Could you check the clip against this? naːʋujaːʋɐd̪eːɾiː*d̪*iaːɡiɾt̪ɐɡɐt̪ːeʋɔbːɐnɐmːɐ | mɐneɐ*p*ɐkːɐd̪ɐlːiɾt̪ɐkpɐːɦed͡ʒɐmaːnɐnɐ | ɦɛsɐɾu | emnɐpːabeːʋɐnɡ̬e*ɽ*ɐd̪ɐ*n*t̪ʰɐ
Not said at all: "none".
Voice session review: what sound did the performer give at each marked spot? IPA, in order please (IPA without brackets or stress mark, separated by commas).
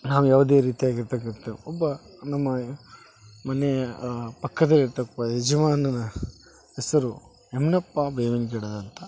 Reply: t̪, p, ɽ, n